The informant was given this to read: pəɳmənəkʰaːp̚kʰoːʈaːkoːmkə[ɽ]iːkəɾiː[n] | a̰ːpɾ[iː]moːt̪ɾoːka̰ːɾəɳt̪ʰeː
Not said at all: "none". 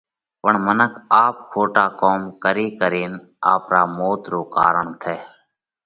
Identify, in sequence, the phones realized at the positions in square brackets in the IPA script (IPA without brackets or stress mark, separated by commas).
ɾ, n, aː